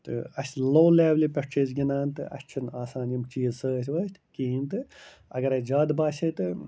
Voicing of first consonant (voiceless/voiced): voiceless